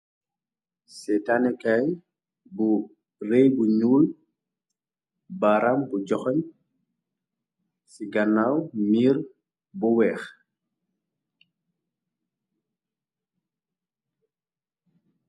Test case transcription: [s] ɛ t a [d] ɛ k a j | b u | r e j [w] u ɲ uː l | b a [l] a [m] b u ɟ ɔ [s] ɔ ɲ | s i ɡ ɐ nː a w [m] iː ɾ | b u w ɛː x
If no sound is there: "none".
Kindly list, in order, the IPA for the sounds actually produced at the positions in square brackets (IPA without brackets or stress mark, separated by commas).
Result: s, n, b, ɾ, m, x, m